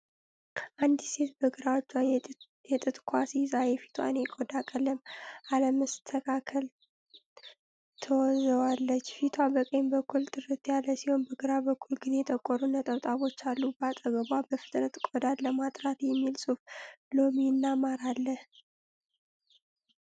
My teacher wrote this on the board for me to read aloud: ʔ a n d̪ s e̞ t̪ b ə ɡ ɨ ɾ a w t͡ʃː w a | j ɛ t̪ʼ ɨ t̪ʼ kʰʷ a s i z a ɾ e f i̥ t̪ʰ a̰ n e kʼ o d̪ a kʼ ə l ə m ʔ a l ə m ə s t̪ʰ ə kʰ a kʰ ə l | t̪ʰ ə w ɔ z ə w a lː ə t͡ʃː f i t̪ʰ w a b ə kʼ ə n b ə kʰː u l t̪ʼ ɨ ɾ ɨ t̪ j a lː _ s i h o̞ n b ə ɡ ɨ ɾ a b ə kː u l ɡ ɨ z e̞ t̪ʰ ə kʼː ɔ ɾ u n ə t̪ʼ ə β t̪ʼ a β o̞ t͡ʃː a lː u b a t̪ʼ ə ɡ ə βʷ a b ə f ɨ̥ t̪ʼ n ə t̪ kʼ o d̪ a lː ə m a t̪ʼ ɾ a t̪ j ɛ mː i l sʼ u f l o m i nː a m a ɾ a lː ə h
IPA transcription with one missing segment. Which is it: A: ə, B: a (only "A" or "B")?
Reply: A